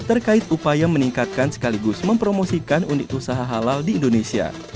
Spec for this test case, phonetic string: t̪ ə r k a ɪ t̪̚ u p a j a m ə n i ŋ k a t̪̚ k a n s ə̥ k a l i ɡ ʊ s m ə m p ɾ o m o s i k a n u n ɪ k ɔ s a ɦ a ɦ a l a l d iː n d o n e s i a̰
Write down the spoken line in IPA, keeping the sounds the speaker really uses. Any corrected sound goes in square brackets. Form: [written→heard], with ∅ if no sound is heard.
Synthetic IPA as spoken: t̪ ə r k a ɪ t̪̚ u p a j a m ə n i ŋ k a t̪̚ k a n s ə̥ k a l i ɡ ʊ s m ə m p ɾ o m o s i k a n u n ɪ k [ɔ→u] s a ɦ a ɦ a l a l d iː n d o n e s i a̰